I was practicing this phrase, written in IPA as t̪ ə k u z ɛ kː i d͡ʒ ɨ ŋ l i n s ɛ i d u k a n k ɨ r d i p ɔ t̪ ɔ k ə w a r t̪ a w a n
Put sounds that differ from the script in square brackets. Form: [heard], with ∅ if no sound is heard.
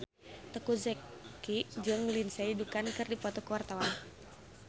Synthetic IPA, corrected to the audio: t̪ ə k u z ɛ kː i d͡ʒ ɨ ŋ l i n s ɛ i d u k a n k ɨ r d i p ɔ t̪ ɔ k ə w a r t̪ a w a n